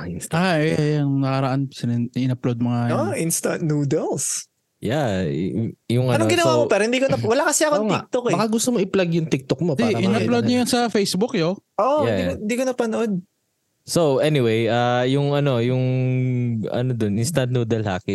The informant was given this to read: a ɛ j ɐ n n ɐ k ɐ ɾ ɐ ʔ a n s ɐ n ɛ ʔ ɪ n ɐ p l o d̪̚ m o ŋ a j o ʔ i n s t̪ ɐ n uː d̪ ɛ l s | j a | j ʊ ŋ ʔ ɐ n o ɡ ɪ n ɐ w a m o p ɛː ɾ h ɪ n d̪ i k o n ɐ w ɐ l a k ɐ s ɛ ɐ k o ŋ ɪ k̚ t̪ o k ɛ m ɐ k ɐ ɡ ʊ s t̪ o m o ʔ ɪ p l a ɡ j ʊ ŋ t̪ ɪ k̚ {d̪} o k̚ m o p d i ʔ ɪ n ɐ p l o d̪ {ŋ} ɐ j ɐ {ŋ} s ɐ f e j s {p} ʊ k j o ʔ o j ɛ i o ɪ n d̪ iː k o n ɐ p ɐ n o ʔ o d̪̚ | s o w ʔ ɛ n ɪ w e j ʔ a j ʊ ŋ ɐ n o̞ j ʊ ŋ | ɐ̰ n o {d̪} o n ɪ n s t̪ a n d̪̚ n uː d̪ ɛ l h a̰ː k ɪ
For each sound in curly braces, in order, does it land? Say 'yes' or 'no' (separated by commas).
no, no, no, no, yes